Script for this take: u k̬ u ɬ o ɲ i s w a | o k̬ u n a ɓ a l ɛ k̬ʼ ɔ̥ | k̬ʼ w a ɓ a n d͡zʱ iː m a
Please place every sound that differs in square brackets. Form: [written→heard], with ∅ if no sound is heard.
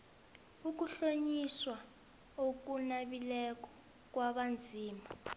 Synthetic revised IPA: u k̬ u ɬ o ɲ i s w a | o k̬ u n a ɓ [a→i] l ɛ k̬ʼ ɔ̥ | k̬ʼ w a ɓ a n d͡zʱ iː m a